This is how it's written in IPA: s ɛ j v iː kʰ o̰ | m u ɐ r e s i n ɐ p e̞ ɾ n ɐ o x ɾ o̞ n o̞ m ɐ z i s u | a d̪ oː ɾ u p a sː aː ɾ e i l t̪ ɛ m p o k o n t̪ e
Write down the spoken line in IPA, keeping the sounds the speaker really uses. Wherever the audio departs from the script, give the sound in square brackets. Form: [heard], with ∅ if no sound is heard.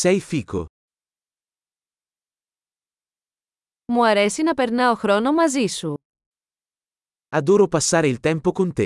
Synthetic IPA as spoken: s ɛ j [f] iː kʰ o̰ | m u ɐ [ɾ] e s i n ɐ p e̞ ɾ n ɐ o x ɾ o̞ n o̞ m ɐ z i s u | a d̪ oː ɾ [o] p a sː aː ɾ e i l t̪ ɛ m p o k o n t̪ e